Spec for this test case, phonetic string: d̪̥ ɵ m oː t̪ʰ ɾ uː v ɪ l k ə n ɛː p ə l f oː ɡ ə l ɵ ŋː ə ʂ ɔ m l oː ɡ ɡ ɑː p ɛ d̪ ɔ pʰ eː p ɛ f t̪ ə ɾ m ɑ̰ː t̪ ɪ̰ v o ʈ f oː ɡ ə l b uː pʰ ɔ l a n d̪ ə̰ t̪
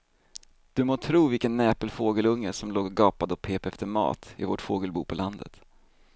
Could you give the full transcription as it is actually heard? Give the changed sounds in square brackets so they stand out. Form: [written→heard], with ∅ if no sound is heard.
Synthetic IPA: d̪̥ ɵ m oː t̪ʰ ɾ uː v ɪ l k ə [n→nː] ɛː p ə l f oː ɡ ə l ɵ ŋː ə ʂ ɔ m l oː ɡ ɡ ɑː p [ɛ→a] d̪ ɔ pʰ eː p ɛ f t̪ ə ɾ m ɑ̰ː t̪ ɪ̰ v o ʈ f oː ɡ ə l b uː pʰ ɔ l a n d̪ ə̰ t̪